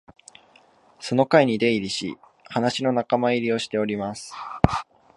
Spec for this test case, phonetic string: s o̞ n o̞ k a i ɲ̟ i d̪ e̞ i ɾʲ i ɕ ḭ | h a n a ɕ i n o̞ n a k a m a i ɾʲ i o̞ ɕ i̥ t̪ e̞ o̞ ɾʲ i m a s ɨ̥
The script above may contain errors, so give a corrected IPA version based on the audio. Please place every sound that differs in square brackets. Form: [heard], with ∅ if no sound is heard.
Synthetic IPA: s o̞ n o̞ k a i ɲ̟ i d̪ e̞ i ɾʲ i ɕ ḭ | h a n a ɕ i n o̞ n a k a m a i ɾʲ i o̞ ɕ i̥ t̪ e̞ o̞ ɾʲ i m a s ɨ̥